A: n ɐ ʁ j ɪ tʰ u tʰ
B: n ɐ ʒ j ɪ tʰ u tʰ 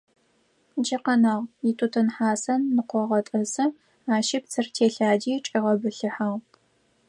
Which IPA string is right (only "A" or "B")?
A